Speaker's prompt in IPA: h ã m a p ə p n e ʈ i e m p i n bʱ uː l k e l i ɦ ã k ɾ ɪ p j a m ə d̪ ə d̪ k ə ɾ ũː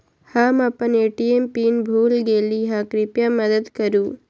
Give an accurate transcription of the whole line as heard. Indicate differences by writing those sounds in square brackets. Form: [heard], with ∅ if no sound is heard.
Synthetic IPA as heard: h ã m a p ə [∅] n e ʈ i e m p i n bʱ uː l [ɡ] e l i ɦ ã k ɾ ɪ p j a m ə d̪ ə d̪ k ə ɾ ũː